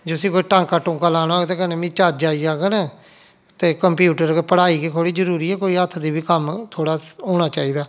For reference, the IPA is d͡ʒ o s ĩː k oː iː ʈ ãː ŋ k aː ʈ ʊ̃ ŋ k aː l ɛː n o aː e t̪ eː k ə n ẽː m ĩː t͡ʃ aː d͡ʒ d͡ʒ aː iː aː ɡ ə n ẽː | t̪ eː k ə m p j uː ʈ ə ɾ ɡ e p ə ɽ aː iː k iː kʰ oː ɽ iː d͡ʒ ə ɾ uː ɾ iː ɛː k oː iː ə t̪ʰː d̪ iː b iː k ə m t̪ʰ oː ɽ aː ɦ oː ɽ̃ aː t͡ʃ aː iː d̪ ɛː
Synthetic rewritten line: d͡ʒ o s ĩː k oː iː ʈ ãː ŋ k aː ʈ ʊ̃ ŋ k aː l aː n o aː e t̪ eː k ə n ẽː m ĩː t͡ʃ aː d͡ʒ d͡ʒ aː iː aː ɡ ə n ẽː | t̪ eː k ə m p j uː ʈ ə ɾ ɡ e p ə ɽ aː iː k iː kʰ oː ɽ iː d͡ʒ ə ɾ uː ɾ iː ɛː k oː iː ə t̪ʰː d̪ iː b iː k ə m t̪ʰ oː ɽ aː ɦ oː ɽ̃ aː t͡ʃ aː iː d̪ aː